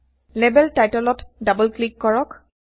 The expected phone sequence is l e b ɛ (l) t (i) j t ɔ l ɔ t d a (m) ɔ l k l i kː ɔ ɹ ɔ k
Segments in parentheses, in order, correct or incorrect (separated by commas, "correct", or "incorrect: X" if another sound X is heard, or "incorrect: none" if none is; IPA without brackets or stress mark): correct, incorrect: a, incorrect: b